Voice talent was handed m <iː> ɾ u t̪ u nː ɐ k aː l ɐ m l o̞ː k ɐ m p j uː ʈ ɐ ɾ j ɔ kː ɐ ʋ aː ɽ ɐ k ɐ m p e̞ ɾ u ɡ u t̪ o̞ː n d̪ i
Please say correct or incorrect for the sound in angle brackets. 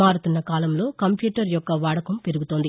incorrect